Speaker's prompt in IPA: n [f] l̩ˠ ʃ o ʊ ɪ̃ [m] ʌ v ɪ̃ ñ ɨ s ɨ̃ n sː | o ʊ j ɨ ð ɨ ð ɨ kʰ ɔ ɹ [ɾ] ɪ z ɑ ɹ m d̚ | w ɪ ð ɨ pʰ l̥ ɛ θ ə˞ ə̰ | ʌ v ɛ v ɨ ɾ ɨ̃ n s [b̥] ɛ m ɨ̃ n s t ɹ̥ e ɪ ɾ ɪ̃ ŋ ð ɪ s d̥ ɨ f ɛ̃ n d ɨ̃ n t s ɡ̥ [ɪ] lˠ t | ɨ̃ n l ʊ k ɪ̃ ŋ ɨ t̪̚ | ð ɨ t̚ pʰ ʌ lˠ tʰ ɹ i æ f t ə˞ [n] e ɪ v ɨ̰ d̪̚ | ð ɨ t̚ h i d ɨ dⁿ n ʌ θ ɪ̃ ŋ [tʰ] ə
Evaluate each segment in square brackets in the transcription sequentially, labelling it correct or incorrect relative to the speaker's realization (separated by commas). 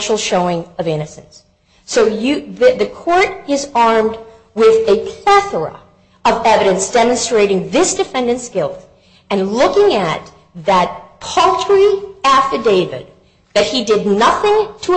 incorrect, incorrect, correct, incorrect, correct, incorrect, correct